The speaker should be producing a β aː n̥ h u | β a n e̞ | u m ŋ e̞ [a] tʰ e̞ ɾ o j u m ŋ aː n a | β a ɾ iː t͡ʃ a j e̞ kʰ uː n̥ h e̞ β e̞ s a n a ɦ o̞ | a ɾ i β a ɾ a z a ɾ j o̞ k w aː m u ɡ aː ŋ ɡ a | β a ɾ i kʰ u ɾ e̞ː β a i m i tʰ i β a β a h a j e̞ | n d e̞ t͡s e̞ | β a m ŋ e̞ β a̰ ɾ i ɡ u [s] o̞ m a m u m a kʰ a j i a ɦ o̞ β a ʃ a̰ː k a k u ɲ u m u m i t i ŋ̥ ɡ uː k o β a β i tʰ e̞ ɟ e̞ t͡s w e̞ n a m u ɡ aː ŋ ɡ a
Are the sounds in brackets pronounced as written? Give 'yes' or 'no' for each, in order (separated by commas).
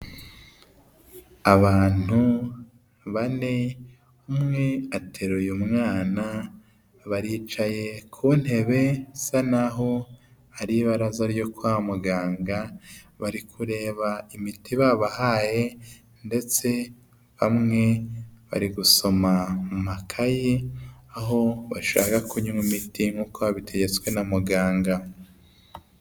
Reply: yes, yes